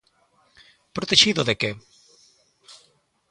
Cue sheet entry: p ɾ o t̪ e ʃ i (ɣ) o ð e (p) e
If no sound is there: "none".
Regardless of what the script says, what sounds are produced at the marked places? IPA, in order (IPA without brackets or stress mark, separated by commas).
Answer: ð, k